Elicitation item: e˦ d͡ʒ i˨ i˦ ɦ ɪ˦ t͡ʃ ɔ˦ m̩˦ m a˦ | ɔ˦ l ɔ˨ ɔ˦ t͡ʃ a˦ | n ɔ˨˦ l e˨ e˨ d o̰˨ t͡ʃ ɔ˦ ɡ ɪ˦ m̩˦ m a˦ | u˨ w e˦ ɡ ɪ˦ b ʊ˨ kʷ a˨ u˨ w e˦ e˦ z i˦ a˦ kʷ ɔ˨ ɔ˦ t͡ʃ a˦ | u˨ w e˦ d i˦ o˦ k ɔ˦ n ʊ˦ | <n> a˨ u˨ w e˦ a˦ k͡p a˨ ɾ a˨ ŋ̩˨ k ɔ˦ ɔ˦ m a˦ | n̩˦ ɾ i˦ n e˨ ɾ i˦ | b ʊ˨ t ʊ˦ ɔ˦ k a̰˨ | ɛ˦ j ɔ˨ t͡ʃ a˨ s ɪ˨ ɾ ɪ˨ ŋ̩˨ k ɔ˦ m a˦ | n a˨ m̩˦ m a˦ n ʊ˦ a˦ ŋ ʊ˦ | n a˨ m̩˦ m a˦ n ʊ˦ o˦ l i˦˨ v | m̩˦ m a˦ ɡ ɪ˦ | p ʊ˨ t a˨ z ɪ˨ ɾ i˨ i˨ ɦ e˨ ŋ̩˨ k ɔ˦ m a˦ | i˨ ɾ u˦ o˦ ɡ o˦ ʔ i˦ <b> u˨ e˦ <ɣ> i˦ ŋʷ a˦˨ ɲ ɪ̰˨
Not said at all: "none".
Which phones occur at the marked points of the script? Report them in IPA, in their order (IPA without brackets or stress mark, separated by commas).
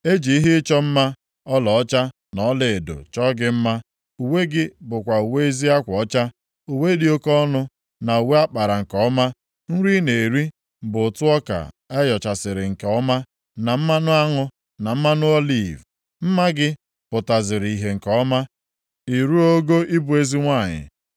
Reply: n, b, z